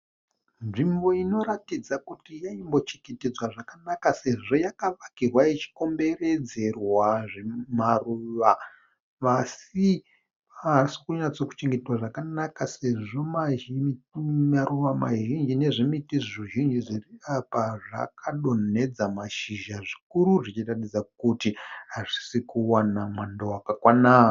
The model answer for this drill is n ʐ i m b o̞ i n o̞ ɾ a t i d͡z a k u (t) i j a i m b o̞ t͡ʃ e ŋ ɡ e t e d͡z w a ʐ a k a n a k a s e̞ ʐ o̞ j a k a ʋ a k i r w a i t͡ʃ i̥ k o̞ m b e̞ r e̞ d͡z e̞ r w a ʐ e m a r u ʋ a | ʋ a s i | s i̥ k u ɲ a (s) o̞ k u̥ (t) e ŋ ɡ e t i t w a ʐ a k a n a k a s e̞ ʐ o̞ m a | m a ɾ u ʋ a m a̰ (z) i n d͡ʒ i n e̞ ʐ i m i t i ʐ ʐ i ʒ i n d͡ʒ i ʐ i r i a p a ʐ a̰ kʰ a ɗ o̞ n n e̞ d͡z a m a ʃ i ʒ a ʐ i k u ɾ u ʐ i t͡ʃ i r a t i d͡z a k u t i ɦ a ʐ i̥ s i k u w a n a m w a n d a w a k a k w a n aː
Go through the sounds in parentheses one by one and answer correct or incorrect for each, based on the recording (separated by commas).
correct, incorrect, incorrect, incorrect